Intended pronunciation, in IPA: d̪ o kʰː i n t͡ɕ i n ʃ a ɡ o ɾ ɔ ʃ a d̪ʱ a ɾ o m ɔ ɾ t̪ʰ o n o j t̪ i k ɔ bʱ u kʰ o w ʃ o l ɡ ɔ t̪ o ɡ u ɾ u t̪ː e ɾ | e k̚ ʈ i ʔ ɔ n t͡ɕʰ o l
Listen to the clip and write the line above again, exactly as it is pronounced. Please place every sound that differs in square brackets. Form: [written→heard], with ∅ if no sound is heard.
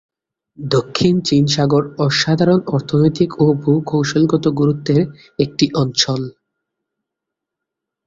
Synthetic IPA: d̪ o kʰː i n t͡ɕ i n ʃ a ɡ o ɾ ɔ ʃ a d̪ʱ a ɾ o [m→n] ɔ ɾ t̪ʰ o n o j t̪ i k [ɔ→o] bʱ u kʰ o w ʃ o l ɡ ɔ t̪ o ɡ u ɾ u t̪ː e ɾ | e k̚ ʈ i ʔ ɔ n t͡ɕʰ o l